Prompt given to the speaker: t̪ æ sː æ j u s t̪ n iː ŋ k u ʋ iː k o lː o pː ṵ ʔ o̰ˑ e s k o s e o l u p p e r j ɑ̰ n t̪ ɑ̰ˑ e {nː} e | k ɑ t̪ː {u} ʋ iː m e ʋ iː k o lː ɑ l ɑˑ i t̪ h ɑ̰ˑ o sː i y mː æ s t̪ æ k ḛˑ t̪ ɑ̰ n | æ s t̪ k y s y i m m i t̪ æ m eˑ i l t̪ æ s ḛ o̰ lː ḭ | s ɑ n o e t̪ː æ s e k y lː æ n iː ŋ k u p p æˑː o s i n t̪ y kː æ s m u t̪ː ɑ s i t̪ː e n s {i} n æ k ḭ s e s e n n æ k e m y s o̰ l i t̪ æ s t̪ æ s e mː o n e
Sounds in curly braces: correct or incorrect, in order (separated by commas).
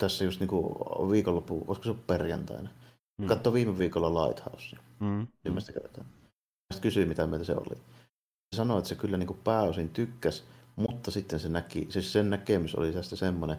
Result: incorrect, incorrect, incorrect